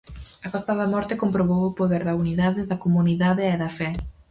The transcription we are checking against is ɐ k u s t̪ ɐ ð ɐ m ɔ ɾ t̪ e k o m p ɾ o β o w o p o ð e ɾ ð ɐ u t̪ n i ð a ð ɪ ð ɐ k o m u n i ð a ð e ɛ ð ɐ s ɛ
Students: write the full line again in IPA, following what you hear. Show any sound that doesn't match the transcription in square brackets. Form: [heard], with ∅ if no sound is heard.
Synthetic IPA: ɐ k [ɔ] s t̪ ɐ ð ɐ m ɔ ɾ t̪ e k o m p ɾ o β o w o p o ð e ɾ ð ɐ u [∅] n i ð a ð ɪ ð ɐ k o m u n i ð a ð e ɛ ð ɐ [f] ɛ